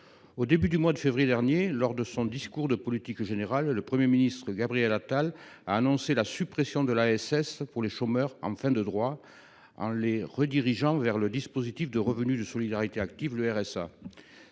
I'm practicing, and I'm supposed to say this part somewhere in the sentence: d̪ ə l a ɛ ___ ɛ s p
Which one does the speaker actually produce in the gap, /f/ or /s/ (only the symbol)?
s